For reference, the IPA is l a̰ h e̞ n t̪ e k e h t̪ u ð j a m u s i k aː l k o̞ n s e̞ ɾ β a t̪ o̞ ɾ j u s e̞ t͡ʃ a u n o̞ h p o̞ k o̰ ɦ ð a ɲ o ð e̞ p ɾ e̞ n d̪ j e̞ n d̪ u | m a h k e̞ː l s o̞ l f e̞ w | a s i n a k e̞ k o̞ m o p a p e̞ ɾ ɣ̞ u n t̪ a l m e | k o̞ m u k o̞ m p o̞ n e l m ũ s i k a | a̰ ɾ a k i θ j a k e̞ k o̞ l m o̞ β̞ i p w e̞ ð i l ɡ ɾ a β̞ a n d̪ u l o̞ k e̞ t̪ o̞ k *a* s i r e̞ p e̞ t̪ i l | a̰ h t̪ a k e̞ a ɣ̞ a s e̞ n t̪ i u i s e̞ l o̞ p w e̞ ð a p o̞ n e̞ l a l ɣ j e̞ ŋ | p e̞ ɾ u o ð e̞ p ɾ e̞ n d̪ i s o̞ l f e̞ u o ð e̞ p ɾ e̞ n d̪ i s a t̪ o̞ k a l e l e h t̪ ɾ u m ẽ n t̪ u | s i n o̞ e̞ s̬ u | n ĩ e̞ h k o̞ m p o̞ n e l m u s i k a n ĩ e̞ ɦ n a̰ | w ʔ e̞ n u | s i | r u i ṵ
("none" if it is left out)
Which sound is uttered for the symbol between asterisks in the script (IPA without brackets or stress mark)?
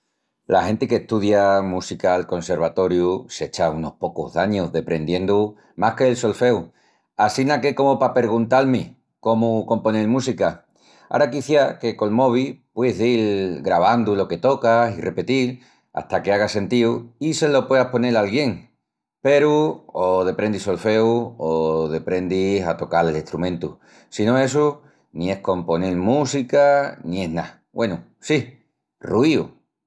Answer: a